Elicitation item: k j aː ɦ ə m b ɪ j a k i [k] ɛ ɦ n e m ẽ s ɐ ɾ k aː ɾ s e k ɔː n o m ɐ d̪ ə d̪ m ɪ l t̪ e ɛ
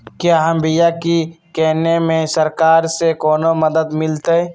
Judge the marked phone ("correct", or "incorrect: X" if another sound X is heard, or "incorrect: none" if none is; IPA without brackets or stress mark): correct